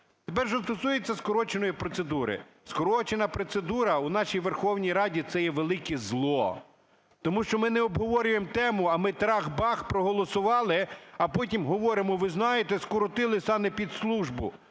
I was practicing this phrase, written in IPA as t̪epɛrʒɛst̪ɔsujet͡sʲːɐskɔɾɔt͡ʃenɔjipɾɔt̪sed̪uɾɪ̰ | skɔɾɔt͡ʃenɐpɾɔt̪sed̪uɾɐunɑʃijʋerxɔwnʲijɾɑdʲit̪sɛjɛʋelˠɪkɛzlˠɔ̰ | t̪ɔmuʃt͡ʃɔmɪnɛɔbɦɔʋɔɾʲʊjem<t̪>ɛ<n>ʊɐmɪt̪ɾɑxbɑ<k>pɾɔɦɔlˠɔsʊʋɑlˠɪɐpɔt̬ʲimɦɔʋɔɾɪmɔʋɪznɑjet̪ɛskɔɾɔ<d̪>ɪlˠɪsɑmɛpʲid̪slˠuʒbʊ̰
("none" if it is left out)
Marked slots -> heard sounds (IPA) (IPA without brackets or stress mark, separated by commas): t̪, m, x, t̪